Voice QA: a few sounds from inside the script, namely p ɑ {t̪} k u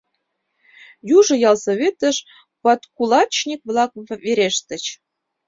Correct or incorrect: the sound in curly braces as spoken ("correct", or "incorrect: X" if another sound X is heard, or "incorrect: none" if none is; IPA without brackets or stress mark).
correct